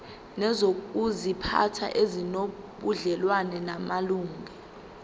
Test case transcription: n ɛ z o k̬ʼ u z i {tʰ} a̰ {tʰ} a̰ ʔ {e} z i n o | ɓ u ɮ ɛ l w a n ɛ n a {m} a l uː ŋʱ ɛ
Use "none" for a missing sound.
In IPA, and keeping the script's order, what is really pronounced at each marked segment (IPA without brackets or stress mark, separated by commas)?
pʰ, tʰ, e, m